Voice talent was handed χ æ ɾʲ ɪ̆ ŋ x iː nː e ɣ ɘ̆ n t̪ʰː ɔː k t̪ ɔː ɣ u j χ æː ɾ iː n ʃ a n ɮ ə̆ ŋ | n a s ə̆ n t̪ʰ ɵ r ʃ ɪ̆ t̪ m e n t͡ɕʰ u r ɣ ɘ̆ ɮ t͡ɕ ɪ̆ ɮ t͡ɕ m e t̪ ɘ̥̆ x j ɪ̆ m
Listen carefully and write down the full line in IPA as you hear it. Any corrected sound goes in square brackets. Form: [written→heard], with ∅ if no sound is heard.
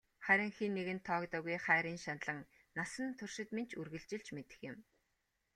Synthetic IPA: χ æ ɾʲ ɪ̆ ŋ x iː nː e ɣ ɘ̆ n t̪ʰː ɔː k t̪ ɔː ɣ u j χ æː ɾ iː n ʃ a n ɮ ə̆ ŋ | n a s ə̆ n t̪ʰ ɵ r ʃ ɪ̆ t̪ m e n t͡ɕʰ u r ɣ ɘ̆ ɮ t͡ɕ ɪ̆ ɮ t͡ɕ m e t̪ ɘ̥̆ x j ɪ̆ m